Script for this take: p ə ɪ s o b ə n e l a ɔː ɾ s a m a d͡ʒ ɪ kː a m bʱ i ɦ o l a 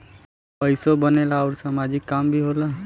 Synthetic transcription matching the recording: p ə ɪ s o b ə n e l a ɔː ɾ s a m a d͡ʒ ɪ kː a m bʱ i ɦ o l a